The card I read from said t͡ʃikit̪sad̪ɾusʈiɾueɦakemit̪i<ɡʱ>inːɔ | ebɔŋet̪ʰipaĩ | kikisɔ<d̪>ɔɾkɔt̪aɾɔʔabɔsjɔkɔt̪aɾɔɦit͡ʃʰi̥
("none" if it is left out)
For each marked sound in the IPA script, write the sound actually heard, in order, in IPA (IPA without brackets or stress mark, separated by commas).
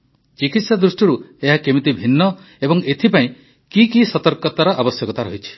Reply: bʱ, t̪